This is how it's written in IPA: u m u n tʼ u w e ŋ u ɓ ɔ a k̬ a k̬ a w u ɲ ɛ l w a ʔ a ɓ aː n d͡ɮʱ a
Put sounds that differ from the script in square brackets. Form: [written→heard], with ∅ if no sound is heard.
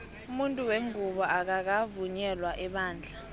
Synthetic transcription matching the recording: u m u n tʼ u w e ŋ u ɓ ɔ a k̬ a k̬ a [w→v] u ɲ ɛ l w a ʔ [a→ɛ] ɓ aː n d͡ɮʱ a